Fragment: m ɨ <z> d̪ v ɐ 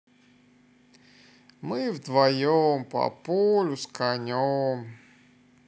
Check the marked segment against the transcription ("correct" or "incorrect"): incorrect